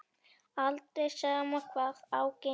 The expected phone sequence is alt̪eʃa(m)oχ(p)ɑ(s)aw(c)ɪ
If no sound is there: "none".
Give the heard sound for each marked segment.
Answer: m, p, χ, k

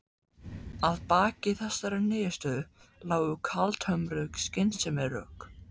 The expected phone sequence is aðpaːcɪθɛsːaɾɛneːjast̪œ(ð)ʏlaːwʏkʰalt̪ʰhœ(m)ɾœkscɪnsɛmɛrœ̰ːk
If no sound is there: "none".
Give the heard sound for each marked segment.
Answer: ð, m

